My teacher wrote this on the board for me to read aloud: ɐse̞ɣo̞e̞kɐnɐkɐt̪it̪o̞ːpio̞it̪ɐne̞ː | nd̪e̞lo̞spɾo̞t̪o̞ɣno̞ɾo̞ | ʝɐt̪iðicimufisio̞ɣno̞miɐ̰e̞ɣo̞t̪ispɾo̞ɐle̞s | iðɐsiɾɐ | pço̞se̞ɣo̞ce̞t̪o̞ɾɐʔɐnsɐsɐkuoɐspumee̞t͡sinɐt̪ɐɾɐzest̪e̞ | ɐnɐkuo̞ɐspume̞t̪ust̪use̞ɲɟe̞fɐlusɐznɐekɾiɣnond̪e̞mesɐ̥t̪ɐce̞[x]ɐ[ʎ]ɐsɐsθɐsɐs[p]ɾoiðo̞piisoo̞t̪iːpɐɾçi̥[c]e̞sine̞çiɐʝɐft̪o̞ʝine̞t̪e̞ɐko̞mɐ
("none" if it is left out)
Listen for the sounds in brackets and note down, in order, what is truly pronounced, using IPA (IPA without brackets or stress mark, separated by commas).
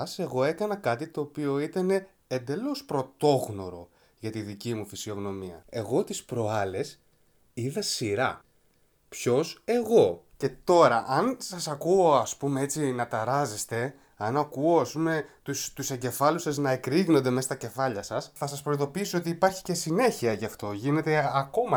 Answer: f, ʎ, p, c